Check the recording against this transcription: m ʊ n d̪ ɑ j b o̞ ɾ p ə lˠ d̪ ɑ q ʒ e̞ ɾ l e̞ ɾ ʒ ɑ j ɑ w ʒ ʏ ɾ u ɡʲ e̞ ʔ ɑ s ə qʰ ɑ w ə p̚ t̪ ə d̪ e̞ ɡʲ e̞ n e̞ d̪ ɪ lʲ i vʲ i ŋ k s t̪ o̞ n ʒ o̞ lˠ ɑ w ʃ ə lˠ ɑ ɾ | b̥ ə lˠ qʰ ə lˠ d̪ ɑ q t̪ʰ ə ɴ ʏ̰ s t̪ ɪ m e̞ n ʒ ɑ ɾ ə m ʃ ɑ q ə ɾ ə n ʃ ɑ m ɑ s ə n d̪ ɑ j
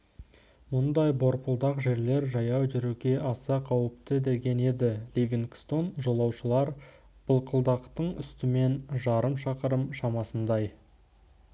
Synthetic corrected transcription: m ʊ n d̪ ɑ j b o̞ ɾ p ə lˠ d̪ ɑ q ʒ e̞ ɾ l e̞ ɾ ʒ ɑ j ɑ w ʒ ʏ ɾ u ɡʲ e̞ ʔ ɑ s ɑ qʰ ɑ w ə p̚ t̪ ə d̪ e̞ ɡʲ e̞ n e̞ d̪ ɪ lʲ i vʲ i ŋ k s t̪ o̞ n ʒ o̞ lˠ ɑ w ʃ ə lˠ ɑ ɾ | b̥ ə lˠ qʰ ə lˠ d̪ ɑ q t̪ ə ɴ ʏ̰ s t̪ ɪ m e̞ n ʒ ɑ ɾ ə m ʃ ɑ q ə ɾ ə m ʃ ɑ m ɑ s ə n d̪ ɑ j